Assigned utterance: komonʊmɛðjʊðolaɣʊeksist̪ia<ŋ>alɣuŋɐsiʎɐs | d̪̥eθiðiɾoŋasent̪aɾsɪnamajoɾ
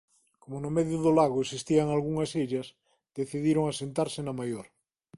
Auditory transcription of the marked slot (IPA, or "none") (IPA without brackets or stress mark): ŋ